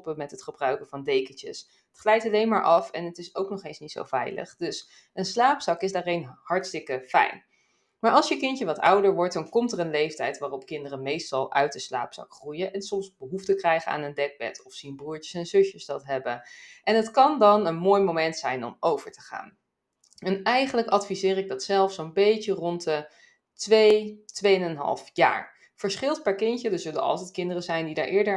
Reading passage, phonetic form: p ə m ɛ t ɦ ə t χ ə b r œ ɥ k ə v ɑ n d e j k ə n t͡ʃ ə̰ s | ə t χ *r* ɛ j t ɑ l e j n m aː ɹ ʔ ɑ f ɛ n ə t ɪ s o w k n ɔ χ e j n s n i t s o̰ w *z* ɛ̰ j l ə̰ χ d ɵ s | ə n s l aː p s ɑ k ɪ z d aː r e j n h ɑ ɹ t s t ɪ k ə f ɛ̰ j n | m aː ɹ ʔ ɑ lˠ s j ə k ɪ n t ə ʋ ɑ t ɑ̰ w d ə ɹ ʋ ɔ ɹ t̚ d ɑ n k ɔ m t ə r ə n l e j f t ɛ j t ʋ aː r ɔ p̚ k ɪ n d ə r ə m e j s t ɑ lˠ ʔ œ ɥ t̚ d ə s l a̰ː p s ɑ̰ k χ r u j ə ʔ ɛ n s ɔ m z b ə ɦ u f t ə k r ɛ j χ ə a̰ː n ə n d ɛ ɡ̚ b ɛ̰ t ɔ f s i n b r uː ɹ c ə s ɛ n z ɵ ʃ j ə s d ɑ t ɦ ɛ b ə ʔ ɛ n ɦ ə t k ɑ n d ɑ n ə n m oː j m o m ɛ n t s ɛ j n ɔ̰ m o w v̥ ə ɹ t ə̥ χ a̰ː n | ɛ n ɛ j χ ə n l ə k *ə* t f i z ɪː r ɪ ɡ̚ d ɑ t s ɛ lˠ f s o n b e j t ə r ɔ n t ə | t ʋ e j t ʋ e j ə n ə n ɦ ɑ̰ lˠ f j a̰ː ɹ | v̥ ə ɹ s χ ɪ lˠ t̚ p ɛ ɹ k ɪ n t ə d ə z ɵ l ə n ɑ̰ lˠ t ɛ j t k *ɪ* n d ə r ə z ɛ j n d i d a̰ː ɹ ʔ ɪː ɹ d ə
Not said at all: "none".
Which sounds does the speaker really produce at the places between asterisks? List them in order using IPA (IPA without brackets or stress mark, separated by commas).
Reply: l, v, ɑ, ɪ